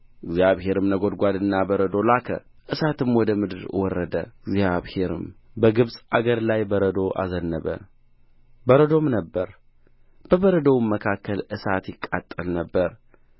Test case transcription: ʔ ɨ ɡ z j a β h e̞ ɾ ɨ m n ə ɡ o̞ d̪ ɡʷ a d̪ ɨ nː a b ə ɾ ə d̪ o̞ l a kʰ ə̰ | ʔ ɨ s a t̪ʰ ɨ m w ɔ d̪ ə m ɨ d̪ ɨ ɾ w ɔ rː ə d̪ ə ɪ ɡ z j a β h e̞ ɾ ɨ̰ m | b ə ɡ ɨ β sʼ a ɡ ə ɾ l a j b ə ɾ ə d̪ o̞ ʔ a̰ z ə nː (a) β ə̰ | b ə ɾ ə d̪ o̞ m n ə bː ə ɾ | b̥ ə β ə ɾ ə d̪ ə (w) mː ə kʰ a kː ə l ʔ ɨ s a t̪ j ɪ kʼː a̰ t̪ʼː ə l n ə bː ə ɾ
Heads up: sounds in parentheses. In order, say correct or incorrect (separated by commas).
incorrect, correct